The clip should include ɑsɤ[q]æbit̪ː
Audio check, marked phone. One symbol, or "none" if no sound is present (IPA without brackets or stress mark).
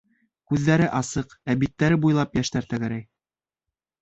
q